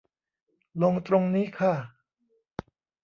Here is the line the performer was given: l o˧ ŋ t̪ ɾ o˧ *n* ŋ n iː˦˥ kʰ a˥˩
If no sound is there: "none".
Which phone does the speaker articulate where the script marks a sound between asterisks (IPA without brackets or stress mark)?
none